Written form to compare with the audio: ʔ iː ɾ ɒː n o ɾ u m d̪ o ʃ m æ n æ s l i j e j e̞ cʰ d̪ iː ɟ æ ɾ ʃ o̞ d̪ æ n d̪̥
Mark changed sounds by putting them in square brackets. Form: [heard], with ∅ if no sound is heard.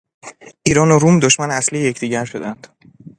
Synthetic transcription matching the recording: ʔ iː ɾ ɒː n o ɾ u m d̪ o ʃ m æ n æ s l i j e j e̞ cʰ d̪ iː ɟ æ ɾ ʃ o̞ d̪ æ n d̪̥